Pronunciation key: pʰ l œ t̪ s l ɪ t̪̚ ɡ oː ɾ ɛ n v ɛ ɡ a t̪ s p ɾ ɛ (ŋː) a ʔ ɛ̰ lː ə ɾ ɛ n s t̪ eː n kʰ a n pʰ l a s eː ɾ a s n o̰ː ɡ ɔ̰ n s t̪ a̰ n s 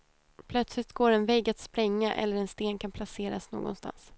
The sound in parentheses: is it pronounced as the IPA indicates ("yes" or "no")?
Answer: yes